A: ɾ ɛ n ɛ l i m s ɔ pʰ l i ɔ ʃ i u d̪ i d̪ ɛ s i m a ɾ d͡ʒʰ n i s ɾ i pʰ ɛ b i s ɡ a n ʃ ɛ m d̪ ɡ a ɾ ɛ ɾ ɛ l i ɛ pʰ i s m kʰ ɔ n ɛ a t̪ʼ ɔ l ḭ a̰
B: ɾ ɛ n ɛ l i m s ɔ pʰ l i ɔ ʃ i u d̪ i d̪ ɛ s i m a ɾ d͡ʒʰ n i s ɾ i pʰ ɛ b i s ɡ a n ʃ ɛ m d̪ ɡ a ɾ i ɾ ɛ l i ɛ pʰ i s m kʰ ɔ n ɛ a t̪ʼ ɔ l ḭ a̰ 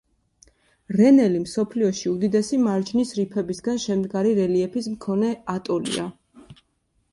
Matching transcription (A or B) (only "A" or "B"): B